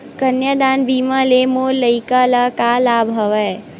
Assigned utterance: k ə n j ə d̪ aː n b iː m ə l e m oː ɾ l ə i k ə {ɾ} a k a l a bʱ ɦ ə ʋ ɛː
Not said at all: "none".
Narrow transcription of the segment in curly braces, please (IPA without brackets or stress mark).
l